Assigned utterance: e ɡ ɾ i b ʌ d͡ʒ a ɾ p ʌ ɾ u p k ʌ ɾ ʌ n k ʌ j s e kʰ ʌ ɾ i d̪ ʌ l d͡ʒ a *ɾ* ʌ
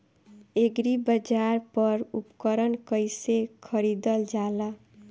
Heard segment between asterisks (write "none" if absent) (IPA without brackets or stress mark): l